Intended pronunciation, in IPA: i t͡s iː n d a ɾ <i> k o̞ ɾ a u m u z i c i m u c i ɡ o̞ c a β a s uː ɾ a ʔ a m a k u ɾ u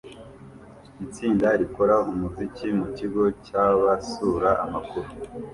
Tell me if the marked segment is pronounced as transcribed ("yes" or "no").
yes